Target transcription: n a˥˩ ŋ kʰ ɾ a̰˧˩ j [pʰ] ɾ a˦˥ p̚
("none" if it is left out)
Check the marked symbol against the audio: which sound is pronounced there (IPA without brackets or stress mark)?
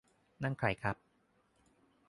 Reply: kʰ